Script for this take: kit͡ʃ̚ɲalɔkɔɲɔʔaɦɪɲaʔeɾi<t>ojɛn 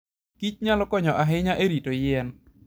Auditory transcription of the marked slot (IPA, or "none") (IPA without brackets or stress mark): t